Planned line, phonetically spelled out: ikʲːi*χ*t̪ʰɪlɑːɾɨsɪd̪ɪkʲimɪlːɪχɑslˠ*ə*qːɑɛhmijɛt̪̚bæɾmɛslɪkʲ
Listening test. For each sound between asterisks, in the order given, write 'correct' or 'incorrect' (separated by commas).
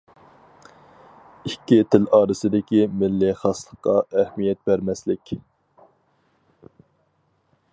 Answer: incorrect, correct